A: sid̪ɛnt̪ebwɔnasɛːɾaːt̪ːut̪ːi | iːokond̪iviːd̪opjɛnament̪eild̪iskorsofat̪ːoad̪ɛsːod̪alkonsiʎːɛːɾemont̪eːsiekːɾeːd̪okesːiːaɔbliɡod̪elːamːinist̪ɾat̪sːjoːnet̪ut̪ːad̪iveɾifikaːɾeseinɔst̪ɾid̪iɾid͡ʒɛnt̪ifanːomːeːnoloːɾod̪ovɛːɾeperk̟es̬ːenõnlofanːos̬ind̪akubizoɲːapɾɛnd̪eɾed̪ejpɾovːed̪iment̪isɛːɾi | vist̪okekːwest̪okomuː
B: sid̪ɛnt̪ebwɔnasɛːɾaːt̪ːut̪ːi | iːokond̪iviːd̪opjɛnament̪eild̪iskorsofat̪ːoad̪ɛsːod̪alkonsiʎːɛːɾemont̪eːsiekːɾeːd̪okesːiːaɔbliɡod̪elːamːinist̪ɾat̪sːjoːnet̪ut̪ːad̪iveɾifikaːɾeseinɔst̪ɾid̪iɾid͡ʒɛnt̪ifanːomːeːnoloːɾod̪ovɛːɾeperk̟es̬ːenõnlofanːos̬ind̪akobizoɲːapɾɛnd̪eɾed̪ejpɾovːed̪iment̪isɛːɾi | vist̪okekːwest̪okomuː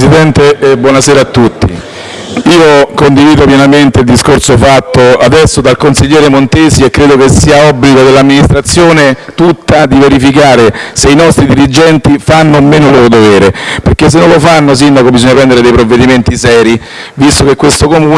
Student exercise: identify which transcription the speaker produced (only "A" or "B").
B